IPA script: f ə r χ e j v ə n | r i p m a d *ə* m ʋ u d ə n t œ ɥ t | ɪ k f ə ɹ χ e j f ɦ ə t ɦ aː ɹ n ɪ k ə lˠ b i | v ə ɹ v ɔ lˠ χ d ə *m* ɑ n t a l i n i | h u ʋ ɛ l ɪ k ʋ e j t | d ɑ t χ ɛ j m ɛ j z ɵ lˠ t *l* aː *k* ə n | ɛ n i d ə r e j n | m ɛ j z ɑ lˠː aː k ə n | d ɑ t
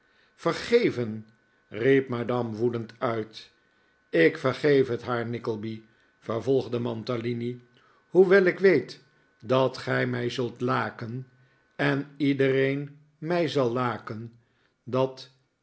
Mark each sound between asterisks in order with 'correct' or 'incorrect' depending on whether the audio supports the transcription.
incorrect: ɑ, correct, correct, correct

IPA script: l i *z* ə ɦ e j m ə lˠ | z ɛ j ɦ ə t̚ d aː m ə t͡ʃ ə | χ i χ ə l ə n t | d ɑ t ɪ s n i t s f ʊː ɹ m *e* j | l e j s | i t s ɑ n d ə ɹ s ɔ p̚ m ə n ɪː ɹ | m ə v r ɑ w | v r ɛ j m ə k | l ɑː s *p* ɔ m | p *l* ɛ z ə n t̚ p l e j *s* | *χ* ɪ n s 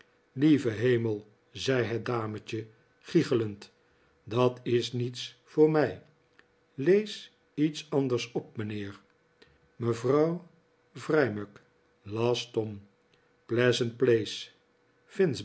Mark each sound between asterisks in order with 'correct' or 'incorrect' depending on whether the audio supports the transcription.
incorrect: v, incorrect: ɛ, incorrect: t, correct, correct, incorrect: f

